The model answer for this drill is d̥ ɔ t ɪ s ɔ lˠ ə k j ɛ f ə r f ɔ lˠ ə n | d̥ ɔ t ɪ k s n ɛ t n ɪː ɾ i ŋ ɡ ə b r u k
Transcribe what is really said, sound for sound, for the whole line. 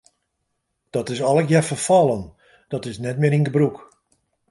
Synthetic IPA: d̥ ɔ t ɪ s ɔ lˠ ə k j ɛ f ə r f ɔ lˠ ə n | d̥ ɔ t ɪ s n ɛ t m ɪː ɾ i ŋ ɡ ə b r u k